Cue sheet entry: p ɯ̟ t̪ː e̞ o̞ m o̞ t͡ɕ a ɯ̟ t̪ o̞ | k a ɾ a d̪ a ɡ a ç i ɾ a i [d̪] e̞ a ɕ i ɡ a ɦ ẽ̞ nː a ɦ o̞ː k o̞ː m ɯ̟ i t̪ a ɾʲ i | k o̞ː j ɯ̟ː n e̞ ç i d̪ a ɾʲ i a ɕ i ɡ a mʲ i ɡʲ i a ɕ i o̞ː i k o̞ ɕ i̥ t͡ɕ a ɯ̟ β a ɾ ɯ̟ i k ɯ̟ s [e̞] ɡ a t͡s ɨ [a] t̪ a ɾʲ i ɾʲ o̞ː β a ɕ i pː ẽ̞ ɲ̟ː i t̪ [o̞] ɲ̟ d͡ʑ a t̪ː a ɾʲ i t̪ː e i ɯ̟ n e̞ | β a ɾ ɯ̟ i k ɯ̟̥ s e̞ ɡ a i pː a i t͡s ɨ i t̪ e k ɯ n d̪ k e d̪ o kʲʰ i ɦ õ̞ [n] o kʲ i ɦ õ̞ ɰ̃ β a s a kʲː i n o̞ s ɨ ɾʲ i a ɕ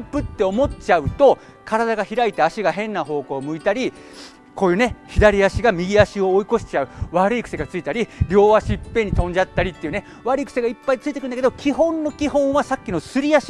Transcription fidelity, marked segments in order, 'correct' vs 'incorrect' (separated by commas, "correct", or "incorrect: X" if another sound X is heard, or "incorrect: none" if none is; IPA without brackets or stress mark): incorrect: t̪, correct, incorrect: i, incorrect: õ̞, incorrect: nː